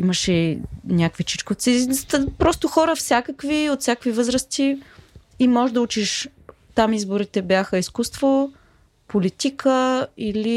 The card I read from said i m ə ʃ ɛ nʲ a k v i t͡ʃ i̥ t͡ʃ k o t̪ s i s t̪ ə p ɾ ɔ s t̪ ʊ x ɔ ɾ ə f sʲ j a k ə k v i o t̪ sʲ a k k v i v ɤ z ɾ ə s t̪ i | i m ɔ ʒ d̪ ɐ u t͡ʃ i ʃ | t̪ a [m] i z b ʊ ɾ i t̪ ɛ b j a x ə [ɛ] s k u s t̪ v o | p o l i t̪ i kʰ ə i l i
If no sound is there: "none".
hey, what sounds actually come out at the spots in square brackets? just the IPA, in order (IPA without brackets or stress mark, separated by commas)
m, i